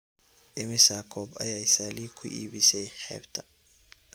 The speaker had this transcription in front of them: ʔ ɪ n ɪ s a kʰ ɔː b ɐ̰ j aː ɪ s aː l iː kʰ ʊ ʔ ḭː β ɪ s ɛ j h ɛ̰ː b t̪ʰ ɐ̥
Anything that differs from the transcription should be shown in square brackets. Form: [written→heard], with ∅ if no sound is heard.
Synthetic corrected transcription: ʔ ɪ [n→m] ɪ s a kʰ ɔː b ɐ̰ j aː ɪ s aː l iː kʰ ʊ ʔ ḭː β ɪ s ɛ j [h→ħ] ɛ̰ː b t̪ʰ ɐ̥